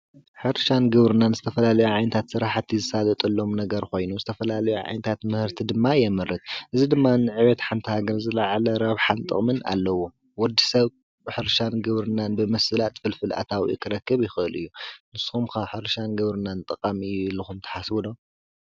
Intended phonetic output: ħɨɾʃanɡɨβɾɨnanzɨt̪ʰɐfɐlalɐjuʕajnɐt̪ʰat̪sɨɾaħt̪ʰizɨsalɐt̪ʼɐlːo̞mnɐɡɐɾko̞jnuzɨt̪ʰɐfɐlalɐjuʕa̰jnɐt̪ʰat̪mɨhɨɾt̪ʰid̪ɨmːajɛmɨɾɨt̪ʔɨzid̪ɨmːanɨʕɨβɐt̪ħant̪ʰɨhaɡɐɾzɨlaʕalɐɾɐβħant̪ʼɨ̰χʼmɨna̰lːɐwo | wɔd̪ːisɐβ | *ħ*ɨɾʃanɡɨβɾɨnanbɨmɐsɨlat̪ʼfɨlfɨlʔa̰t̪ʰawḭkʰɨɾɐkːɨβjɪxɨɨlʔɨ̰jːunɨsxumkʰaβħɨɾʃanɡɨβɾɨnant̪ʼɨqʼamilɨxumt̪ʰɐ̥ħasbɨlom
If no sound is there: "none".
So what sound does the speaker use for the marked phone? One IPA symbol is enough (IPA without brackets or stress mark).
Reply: ħ